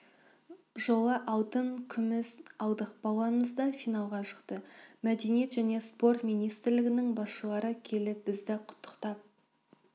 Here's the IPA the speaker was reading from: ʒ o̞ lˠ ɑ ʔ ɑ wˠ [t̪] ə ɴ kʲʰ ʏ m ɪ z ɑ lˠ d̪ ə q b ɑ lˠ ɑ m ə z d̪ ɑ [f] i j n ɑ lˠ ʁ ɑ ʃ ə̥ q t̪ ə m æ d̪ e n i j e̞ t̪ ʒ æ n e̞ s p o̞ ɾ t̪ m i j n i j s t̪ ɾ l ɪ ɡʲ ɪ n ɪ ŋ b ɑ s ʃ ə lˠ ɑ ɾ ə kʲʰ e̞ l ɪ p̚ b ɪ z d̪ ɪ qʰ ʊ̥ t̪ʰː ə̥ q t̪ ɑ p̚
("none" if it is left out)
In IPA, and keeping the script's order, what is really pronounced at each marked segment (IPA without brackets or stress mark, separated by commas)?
t̪, f